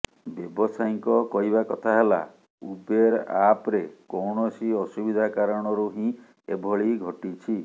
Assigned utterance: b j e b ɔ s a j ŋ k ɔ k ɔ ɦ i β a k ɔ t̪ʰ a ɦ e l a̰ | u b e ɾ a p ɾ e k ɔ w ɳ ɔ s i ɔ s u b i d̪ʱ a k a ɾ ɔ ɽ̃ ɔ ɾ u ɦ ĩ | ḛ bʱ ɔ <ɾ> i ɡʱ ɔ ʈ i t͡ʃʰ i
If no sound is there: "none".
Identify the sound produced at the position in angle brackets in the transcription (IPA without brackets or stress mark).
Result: ɭ